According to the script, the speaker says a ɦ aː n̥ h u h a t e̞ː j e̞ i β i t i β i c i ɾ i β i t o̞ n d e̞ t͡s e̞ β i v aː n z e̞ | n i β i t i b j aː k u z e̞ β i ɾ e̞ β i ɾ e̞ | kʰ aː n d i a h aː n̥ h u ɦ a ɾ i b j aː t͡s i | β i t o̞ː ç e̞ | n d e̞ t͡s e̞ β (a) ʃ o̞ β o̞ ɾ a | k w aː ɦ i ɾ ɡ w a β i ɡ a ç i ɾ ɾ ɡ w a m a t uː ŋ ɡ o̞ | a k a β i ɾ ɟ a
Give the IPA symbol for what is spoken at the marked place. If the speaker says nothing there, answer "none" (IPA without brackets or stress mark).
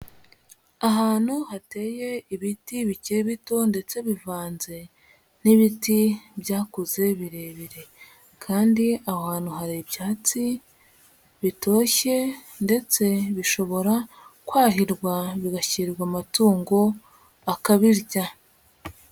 i